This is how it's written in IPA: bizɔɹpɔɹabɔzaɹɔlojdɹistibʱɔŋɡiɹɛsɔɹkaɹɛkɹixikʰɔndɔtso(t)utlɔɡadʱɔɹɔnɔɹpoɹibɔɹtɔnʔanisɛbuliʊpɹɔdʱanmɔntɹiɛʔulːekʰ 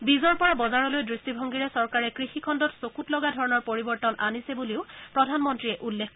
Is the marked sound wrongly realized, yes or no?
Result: yes